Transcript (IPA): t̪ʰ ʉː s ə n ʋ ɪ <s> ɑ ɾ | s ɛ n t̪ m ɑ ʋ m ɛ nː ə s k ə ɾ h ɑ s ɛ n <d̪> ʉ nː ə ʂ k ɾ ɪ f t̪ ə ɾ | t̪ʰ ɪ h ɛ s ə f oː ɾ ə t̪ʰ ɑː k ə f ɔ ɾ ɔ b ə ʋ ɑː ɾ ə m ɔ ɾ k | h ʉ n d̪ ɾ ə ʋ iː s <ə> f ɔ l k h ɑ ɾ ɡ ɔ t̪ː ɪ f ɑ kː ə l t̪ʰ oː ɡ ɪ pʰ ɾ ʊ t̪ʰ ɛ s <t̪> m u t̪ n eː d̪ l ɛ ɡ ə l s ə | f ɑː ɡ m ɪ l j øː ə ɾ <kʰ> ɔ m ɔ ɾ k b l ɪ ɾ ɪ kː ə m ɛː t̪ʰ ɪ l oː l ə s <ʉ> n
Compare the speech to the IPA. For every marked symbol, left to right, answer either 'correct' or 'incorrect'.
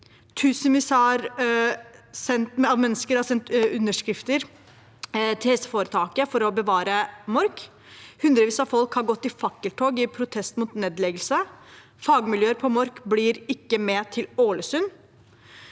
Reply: correct, incorrect: t̪, incorrect: ɑ, correct, incorrect: pʰ, correct

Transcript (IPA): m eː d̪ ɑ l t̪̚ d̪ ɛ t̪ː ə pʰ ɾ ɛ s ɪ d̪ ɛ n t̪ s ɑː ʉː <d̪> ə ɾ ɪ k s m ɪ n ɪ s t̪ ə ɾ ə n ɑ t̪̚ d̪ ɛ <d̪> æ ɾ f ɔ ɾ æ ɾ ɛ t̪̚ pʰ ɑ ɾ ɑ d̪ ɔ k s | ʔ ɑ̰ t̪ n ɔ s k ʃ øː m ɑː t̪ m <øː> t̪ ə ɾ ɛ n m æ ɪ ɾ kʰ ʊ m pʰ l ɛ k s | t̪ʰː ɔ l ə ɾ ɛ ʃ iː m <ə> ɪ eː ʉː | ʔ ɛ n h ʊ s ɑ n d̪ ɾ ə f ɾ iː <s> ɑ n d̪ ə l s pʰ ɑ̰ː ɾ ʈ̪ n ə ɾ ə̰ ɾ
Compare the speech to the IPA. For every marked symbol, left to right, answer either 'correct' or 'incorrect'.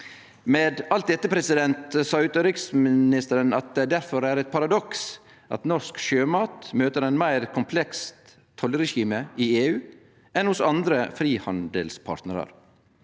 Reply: incorrect: t̪, correct, correct, correct, incorrect: h

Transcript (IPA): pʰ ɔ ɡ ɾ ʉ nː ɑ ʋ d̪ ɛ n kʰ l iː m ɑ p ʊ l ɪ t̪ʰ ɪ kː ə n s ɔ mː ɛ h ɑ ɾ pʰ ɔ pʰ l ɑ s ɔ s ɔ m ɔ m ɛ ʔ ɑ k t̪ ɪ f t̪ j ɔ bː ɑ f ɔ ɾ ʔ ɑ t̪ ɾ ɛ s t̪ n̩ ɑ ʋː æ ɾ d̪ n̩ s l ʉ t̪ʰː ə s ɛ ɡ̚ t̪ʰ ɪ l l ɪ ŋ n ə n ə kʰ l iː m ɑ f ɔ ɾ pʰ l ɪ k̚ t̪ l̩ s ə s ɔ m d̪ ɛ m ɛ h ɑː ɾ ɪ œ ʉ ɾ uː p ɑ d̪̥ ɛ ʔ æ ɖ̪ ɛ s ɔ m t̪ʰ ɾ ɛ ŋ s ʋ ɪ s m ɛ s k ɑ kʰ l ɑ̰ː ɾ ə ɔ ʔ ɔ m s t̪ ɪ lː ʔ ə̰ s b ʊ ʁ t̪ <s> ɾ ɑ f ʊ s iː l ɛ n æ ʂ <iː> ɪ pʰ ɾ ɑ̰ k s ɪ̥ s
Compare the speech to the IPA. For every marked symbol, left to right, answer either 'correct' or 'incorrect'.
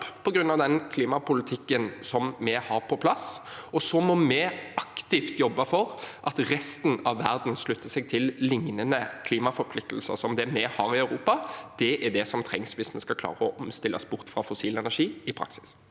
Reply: incorrect: f, correct

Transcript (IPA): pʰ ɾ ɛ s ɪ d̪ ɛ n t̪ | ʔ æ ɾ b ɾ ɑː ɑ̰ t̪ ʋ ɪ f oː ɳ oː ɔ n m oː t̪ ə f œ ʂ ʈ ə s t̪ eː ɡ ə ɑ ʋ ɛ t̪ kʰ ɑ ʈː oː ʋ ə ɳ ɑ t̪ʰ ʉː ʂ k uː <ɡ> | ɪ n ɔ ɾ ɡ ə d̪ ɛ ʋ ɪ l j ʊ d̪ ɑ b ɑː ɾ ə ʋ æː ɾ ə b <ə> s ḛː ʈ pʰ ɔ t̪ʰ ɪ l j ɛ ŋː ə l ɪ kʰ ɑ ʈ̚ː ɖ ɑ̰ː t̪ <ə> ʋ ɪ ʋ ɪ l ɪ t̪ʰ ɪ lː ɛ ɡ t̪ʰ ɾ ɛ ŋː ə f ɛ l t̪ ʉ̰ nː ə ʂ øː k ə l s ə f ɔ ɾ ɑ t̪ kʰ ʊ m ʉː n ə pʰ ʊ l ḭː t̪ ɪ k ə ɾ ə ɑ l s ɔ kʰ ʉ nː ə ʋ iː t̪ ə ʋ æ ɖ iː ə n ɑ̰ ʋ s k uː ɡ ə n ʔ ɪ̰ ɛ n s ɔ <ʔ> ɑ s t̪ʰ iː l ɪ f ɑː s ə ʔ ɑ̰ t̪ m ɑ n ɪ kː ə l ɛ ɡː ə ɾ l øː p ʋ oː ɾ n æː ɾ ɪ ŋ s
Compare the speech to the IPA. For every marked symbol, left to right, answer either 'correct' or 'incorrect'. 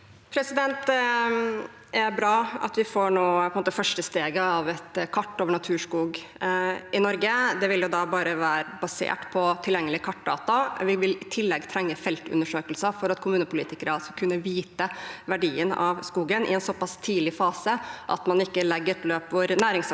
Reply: correct, incorrect: ɑ, incorrect: ɑ, incorrect: p

